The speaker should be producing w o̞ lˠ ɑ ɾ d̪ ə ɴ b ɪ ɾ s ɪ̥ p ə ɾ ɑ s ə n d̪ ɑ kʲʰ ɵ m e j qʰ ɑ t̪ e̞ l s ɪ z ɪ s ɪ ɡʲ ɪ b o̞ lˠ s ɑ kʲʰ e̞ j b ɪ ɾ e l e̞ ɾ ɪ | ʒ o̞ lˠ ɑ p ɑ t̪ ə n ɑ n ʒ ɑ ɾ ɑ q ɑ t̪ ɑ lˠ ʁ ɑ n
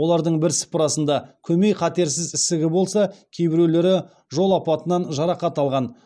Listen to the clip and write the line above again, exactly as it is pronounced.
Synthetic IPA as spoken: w o̞ lˠ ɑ ɾ d̪ ə ɴ b ɪ ɾ s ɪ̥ p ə ɾ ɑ s ə n d̪ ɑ kʲʰ ɵ m e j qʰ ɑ t̪ e̞ ɾ s ɪ z ɪ s ɪ ɡʲ ɪ b o̞ lˠ s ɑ kʲʰ e̞ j b ɪ ɾ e l e̞ ɾ ɪ | ʒ o̞ lˠ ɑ p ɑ t̪ ə n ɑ n ʒ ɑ ɾ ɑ q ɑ t̪ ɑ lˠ ʁ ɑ n